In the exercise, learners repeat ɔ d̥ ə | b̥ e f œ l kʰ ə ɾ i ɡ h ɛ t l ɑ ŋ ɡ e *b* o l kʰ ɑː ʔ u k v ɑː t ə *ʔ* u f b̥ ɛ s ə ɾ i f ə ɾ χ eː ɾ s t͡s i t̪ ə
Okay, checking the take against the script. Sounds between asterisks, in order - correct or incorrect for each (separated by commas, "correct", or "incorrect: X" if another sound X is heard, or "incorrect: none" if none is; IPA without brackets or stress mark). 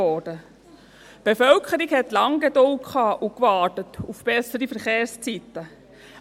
incorrect: d, incorrect: t